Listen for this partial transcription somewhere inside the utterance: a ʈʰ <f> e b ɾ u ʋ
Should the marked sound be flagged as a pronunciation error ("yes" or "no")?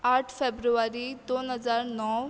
no